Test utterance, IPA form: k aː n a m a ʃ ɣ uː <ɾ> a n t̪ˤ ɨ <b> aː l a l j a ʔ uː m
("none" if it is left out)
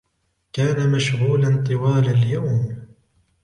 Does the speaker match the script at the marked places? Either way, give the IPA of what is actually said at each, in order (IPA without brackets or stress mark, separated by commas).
l, w